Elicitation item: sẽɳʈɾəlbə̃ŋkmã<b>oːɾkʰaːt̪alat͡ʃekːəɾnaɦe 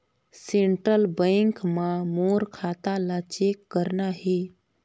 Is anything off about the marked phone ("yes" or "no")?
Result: yes